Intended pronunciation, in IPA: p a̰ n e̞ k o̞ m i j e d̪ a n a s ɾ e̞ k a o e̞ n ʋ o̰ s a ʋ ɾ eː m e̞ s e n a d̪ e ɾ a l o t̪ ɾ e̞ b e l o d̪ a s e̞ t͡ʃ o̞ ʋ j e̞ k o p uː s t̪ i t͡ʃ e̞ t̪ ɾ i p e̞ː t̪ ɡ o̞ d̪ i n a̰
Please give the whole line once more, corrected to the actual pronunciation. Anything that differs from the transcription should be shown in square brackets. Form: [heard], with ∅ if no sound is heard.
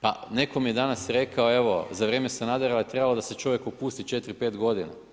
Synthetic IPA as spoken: p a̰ n e̞ k o̞ m i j e d̪ a n a s ɾ e̞ k a o e̞ [∅] ʋ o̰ [z] a ʋ ɾ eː m e̞ s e n a d̪ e ɾ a l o t̪ ɾ e̞ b [a] l o d̪ a s e̞ t͡ʃ o̞ ʋ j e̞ k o p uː s t̪ i t͡ʃ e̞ t̪ ɾ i p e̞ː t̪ ɡ o̞ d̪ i n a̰